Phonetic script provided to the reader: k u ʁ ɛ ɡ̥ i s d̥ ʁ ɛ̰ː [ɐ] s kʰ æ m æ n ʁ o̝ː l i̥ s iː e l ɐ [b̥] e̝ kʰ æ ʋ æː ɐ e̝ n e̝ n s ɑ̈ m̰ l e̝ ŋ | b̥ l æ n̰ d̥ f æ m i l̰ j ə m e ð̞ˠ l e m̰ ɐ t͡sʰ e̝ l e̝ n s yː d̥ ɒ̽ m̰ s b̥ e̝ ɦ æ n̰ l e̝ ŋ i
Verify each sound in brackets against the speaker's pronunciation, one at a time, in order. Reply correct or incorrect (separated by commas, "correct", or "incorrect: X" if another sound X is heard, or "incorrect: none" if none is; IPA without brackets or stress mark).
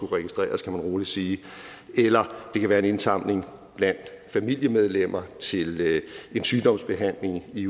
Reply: correct, incorrect: d̥